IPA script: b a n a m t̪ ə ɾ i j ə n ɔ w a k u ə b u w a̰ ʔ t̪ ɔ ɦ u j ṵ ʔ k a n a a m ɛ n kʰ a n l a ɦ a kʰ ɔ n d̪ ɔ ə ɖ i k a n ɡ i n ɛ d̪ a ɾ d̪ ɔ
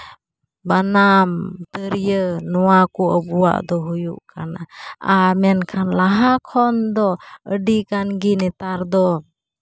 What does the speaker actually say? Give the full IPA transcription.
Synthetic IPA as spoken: b a n a m t̪ ə ɾ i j ə n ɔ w a k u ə b u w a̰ ʔ d̪ ɔ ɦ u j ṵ ʔ k a n a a m ɛ n kʰ a n l a ɦ a kʰ ɔ n d̪ ɔ ə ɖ i k a n ɡ i n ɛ t̪ a ɾ d̪ ɔ